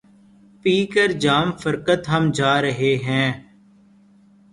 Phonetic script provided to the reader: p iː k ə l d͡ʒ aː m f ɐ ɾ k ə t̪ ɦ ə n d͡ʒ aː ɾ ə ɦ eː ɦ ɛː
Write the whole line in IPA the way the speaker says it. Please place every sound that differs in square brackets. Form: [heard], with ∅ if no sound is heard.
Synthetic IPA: p iː k ə [ɾ] d͡ʒ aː m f [ə] ɾ k ə t̪ ɦ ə [m] d͡ʒ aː ɾ ə ɦ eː ɦ [ɛ̃ː]